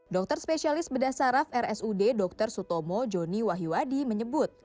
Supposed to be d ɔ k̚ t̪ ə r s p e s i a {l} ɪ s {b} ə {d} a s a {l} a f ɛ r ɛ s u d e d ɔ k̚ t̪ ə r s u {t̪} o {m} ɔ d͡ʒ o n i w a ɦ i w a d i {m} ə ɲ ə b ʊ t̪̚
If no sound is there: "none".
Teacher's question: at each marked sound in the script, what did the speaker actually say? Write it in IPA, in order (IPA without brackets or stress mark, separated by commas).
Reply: l, b, d, ɾ, t̪, m, m